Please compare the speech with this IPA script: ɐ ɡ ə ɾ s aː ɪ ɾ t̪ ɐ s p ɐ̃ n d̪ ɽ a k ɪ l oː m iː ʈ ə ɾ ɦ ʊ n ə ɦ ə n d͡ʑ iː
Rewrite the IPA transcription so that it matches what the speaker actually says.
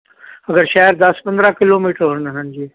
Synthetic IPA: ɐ ɡ ə ɾ ʃ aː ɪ ɾ d̪ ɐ s p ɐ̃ n d̪ ɾ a k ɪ l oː m iː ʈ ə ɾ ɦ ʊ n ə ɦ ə n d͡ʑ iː